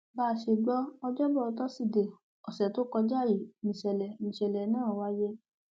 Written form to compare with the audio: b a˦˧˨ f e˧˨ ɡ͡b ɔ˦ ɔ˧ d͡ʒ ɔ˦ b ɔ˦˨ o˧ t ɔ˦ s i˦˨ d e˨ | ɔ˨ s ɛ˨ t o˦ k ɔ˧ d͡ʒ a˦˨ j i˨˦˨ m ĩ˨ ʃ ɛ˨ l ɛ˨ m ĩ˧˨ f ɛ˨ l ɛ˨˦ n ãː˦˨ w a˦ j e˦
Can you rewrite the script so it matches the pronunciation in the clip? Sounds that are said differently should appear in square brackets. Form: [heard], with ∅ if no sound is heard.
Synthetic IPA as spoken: b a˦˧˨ [ʃ] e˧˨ ɡ͡b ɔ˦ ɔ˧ d͡ʒ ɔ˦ b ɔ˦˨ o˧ t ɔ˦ s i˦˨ d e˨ | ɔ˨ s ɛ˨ t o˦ k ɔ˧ d͡ʒ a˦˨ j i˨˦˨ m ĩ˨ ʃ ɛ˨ l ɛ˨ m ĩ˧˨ [ʃ] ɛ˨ l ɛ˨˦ n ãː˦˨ w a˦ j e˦